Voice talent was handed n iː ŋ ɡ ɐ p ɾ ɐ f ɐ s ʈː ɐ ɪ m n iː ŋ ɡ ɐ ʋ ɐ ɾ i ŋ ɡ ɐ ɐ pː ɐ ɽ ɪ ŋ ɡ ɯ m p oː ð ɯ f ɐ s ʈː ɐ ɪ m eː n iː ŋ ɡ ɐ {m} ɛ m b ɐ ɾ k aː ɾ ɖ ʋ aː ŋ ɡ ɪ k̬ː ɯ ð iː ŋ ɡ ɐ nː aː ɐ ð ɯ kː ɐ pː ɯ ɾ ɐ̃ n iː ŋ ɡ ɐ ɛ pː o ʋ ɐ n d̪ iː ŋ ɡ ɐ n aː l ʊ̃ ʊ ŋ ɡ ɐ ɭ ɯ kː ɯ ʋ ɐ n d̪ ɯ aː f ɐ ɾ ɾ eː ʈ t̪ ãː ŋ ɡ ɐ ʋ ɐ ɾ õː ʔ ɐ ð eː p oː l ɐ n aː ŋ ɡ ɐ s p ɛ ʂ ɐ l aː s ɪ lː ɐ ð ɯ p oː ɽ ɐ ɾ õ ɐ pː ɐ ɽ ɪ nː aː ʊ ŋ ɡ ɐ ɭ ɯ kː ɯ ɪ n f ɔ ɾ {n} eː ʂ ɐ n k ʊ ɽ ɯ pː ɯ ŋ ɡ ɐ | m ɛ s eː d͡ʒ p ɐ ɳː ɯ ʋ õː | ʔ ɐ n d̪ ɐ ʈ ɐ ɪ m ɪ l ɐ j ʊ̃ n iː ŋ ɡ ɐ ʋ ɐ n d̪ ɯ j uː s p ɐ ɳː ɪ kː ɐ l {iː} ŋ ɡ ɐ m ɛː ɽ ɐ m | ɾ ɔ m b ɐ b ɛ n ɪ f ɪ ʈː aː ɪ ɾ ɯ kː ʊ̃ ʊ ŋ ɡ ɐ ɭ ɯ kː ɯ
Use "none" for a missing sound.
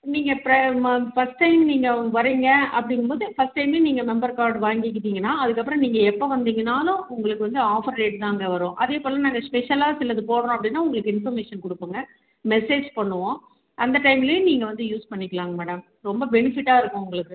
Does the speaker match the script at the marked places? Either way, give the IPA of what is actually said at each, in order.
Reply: m, m, aː

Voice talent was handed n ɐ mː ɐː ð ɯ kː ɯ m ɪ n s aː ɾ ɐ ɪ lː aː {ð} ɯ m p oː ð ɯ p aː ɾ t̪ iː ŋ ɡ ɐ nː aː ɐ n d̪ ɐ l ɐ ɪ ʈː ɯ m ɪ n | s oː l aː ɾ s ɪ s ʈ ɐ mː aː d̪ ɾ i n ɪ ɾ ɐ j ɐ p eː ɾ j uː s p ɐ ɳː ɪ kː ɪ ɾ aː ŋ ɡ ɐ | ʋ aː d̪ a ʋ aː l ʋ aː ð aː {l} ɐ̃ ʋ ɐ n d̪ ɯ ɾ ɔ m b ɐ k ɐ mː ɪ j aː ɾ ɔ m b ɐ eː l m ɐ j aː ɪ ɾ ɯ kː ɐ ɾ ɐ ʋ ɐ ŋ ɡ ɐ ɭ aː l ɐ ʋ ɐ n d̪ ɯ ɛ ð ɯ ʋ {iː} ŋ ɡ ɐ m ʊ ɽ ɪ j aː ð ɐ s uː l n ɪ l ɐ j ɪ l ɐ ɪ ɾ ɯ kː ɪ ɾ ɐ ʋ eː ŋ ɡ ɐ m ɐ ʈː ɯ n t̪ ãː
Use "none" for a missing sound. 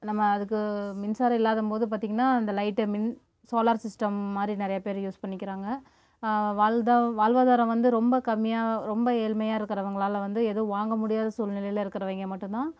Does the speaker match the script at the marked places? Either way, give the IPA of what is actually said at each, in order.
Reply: ð, ɾ, aː

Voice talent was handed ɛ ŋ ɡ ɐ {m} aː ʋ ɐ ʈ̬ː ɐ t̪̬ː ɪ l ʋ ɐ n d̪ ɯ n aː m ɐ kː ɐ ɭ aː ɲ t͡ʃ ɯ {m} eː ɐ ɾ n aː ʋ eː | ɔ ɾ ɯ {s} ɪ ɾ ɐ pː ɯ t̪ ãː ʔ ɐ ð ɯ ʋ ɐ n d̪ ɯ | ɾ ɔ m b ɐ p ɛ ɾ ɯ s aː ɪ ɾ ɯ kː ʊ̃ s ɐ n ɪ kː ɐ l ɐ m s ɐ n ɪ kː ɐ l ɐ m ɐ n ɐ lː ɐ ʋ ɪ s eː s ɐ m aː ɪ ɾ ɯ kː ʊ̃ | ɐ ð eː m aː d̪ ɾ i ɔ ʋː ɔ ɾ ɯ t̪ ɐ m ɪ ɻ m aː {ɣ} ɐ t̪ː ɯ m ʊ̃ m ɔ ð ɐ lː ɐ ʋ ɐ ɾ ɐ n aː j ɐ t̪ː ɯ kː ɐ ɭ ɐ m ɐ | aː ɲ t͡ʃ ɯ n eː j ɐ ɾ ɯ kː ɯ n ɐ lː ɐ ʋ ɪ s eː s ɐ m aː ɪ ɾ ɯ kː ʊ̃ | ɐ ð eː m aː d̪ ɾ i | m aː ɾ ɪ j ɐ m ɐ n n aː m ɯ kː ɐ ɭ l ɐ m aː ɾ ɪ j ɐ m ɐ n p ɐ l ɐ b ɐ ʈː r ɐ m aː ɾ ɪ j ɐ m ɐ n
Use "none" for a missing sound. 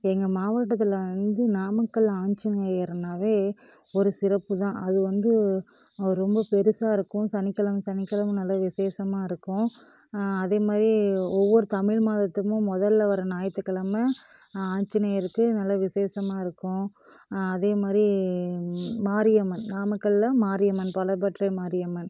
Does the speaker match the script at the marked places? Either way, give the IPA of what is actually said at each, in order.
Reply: m, n, s, ð

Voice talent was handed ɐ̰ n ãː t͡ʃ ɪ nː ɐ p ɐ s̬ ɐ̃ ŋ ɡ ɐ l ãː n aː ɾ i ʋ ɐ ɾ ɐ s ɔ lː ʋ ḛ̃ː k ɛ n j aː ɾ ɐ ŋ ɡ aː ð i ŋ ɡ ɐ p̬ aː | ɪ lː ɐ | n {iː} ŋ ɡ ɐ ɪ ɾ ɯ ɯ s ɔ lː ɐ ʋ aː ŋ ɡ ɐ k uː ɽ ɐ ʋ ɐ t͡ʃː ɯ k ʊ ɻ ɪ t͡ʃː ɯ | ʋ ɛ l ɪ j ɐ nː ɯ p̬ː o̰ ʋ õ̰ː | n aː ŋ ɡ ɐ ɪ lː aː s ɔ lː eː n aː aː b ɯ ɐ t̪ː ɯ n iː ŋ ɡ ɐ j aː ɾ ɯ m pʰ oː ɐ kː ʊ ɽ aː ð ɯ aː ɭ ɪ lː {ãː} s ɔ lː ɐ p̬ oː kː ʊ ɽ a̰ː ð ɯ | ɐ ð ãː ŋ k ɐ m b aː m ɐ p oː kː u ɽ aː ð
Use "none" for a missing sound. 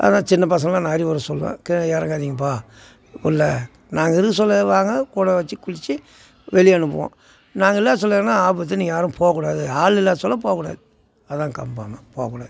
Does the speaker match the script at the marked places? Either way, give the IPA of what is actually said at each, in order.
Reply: aː, aː

